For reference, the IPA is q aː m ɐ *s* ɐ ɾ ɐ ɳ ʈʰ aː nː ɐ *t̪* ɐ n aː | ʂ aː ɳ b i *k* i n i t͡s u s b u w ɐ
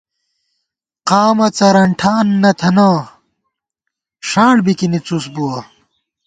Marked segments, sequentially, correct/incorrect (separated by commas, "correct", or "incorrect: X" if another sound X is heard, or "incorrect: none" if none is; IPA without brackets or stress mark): incorrect: t͡s, incorrect: t̪ʰ, correct